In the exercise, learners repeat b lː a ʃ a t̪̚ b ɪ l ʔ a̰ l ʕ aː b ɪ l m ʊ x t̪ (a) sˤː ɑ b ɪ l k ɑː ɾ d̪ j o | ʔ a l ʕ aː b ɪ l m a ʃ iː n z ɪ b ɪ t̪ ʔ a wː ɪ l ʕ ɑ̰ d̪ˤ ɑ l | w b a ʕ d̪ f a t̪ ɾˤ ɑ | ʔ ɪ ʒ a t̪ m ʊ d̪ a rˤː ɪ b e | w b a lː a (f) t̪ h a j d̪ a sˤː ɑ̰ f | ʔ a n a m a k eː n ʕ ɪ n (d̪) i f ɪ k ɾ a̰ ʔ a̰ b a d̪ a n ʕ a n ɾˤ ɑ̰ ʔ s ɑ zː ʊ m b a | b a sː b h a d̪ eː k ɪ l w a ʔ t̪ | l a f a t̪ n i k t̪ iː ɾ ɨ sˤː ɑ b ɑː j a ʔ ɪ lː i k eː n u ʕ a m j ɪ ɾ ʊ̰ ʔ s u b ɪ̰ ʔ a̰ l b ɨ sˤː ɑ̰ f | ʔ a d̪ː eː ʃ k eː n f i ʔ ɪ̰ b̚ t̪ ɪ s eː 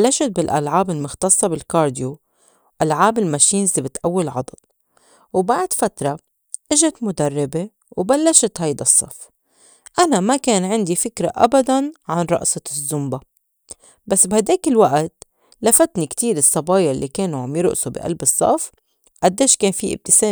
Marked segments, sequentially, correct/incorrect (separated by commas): incorrect, incorrect, correct